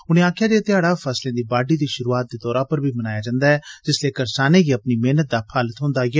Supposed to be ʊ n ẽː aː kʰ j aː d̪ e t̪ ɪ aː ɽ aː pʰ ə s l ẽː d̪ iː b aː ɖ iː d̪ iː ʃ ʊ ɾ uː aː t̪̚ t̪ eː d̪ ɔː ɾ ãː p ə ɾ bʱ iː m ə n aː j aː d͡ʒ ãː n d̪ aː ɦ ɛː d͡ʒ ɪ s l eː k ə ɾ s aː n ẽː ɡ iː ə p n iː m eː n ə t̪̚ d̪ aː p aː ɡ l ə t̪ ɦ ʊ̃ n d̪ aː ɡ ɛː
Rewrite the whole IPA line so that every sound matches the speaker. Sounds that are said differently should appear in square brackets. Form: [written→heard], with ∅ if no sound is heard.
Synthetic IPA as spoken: ʊ n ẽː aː kʰ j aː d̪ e t̪ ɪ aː ɽ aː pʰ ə s l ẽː d̪ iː b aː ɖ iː d̪ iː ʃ ʊ ɾ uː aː t̪̚ [t̪→d̪] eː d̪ ɔː ɾ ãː p ə ɾ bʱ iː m ə n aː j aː d͡ʒ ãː n d̪ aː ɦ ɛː d͡ʒ ɪ s l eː k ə ɾ s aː n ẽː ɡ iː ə p n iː m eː n ə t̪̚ d̪ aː [p→pʰ] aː [ɡ→∅] l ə t̪ ɦ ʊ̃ n d̪ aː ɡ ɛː